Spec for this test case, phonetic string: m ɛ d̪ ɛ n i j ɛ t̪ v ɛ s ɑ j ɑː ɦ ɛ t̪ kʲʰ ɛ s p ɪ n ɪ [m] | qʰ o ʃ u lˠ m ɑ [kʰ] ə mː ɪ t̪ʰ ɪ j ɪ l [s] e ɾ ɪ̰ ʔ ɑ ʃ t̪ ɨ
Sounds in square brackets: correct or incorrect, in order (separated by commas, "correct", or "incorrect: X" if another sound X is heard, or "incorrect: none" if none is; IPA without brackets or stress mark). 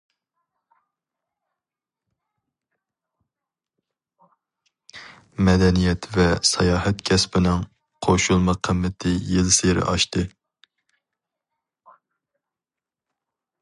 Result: incorrect: ŋ, incorrect: qʰ, correct